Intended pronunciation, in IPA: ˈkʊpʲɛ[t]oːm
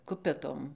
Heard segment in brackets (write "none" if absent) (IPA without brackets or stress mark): t